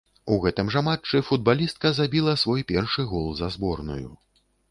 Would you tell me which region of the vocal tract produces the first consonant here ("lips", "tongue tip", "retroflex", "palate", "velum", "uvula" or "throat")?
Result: velum